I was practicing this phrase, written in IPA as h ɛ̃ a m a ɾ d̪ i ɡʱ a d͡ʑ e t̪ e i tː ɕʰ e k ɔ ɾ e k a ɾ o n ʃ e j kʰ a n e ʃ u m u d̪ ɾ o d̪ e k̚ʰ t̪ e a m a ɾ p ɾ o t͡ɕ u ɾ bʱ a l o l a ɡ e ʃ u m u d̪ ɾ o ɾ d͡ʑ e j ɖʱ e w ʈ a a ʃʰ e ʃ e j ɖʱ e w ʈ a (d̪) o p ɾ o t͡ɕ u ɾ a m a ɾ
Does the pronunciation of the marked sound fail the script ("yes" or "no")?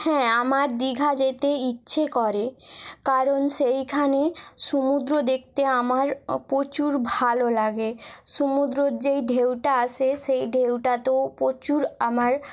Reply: yes